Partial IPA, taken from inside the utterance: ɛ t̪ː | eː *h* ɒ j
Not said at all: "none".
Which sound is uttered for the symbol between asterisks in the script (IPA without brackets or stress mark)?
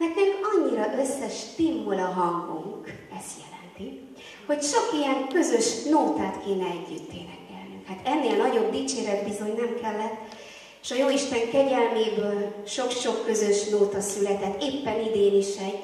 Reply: ʃ